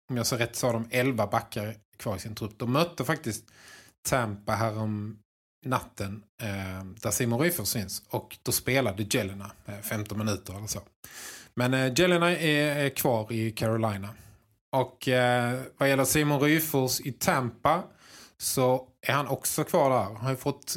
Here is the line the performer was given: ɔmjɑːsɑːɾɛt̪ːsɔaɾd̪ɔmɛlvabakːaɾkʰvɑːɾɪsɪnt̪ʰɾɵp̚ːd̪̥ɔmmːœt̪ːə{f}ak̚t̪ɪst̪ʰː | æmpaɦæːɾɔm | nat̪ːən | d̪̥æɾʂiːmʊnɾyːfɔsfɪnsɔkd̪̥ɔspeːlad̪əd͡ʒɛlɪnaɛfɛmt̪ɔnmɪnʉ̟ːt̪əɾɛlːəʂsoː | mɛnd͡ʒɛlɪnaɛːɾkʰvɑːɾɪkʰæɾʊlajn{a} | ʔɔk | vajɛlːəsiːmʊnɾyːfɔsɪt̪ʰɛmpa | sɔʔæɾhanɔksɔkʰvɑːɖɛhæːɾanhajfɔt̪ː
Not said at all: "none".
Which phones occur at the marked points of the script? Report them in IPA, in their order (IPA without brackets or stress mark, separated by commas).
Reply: f, a